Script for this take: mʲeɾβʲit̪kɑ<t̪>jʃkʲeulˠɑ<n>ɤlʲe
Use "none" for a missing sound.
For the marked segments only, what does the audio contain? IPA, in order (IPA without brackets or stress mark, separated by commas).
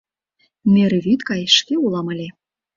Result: none, m